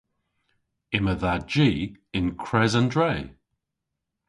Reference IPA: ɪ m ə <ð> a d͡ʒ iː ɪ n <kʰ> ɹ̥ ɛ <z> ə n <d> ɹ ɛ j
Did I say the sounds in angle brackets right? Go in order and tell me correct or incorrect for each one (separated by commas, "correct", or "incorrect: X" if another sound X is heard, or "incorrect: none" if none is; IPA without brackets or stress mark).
correct, correct, correct, correct